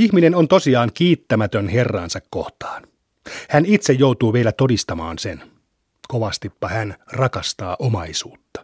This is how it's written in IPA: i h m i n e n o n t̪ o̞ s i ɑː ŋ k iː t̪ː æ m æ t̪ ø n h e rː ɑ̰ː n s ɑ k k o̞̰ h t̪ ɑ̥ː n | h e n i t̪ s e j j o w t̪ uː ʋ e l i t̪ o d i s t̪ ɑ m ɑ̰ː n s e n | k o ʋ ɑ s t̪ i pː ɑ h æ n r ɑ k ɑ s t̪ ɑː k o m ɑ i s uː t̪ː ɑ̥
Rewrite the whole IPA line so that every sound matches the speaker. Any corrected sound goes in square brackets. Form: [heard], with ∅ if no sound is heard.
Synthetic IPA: i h m i n e n o n t̪ o̞ s i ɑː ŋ k iː t̪ː æ m æ t̪ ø n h e rː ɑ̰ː n s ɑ k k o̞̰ h t̪ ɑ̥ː n | h [æ] n i t̪ s e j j o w t̪ uː ʋ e l [æ] t̪ o d i s t̪ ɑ m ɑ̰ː n s e n | k o ʋ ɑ s t̪ i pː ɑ h æ n r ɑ k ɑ s t̪ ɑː [ʔ] o m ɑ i s uː t̪ː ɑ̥